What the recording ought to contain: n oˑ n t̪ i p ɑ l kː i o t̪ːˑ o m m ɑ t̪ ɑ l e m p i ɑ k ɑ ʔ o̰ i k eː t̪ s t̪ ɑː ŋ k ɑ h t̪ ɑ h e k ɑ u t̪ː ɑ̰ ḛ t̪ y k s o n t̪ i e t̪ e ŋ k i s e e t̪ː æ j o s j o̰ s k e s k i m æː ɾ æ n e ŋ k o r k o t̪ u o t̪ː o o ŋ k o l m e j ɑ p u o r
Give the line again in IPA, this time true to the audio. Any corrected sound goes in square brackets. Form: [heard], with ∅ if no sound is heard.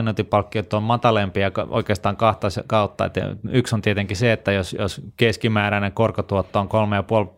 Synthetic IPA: n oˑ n t̪ i p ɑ l kː i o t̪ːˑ o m m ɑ t̪ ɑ l e m p i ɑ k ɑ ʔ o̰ i k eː [∅] s t̪ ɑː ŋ k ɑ h t̪ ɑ [s] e k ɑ u t̪ː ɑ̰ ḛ t̪ y k s o n t̪ i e t̪ e ŋ k i s e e t̪ː æ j o s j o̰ s k e s k i m æː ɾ æ n e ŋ k o r k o t̪ u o t̪ː o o ŋ k o l m e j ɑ p u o [l]